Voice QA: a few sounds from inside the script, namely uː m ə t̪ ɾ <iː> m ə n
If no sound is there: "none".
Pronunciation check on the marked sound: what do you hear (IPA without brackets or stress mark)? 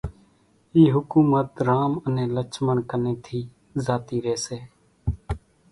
aː